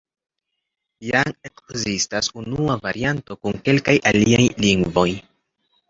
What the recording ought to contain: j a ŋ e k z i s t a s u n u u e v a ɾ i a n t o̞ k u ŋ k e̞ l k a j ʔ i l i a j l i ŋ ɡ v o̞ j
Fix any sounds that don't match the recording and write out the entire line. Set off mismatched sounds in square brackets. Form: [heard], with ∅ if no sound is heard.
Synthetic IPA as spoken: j a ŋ e k z i s t a s u n u u [a] v a ɾ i a n t o̞ k u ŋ k e̞ l k a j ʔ [a] l i a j l i ŋ ɡ v o̞ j